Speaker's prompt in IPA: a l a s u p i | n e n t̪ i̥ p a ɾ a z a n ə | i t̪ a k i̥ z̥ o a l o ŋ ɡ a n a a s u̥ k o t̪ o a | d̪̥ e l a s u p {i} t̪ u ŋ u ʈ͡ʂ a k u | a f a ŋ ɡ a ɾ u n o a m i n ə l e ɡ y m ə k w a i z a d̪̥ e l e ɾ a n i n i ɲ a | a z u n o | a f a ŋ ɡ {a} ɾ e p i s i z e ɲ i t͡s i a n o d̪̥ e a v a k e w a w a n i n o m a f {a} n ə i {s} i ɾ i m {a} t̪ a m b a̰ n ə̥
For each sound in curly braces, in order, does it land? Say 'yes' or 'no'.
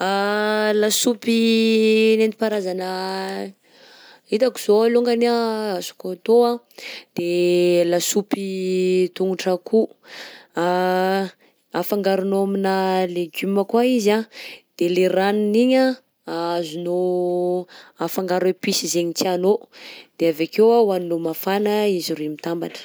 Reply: yes, yes, yes, no, no

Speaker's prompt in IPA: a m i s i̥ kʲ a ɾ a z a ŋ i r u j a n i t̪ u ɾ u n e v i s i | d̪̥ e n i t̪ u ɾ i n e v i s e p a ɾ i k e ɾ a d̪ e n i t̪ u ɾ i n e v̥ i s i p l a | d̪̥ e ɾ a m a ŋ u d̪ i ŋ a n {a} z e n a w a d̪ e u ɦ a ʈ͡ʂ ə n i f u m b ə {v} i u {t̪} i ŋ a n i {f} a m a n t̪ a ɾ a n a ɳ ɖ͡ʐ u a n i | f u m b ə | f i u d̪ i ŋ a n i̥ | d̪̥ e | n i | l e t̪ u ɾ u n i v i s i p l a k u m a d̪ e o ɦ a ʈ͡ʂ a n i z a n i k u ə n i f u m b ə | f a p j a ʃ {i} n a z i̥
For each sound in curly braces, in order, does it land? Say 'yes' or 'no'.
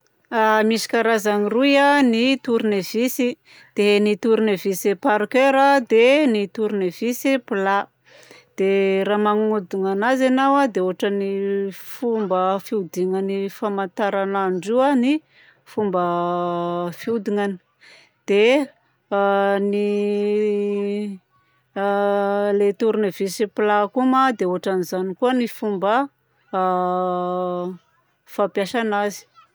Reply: yes, no, no, yes, no

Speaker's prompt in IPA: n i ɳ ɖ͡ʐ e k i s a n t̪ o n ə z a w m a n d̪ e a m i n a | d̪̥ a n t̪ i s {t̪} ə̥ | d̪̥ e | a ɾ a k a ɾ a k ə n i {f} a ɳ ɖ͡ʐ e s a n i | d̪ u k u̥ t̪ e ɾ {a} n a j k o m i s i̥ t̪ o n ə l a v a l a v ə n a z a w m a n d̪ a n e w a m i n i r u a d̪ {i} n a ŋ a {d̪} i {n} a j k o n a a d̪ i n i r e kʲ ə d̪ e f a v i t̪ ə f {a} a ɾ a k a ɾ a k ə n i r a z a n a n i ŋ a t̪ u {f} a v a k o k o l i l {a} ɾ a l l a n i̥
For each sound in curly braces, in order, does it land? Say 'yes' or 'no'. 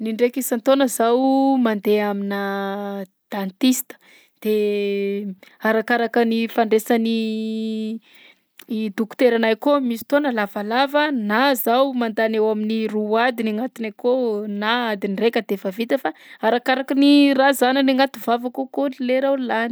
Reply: yes, yes, yes, yes, no, yes, yes, no, no

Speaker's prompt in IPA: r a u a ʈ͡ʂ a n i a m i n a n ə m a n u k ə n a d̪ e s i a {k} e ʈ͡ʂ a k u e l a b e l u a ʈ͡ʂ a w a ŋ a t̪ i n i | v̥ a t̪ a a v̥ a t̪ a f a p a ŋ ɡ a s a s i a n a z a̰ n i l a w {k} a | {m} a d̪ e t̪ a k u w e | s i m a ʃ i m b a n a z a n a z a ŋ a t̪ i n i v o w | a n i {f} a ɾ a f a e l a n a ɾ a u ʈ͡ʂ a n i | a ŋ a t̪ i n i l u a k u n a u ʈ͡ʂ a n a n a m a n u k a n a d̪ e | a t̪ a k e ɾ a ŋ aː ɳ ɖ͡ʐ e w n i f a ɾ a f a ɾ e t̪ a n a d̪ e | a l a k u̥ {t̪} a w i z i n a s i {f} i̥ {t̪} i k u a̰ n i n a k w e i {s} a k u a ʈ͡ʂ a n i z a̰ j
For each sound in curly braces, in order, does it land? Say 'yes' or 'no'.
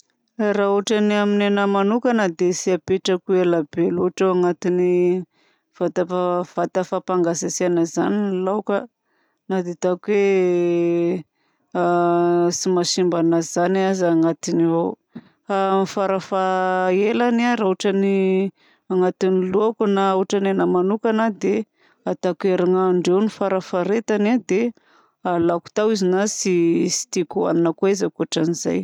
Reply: no, yes, no, yes, yes, no, yes, no

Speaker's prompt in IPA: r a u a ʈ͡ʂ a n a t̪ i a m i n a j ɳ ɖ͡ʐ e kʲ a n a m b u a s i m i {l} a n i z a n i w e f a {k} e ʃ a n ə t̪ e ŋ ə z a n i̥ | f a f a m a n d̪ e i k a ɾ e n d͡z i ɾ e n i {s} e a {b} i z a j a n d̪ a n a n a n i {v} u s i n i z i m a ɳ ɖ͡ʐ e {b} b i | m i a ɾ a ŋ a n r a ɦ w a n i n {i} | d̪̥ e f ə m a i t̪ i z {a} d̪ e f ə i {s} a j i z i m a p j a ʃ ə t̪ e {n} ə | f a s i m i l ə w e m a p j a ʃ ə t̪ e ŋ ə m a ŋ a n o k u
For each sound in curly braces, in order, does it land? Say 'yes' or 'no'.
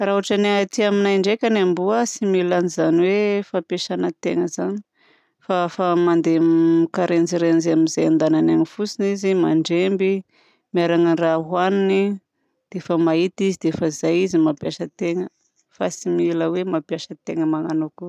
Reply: yes, no, no, no, no, no, yes, no, no, no

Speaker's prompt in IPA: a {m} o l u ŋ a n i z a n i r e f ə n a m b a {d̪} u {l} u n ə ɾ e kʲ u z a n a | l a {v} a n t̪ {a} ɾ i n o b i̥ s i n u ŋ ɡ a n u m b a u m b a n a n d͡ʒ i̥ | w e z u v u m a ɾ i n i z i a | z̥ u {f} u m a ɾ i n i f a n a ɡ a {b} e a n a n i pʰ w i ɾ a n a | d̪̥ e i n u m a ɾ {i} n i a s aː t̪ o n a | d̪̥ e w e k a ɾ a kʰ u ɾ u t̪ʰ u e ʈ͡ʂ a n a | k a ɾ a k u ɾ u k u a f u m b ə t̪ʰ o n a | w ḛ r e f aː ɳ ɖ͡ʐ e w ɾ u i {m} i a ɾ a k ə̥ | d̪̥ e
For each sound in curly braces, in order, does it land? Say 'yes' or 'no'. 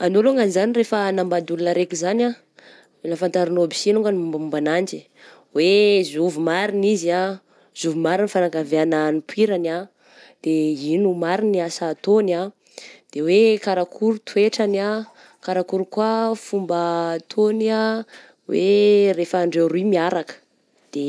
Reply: no, yes, yes, no, yes, no, no, yes, yes

